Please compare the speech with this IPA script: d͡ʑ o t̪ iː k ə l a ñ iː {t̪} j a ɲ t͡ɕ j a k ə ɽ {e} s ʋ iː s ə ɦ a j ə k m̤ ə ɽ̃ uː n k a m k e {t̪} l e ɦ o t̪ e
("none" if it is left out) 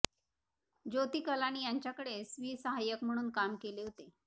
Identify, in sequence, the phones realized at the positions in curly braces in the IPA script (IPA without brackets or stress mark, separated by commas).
none, e, none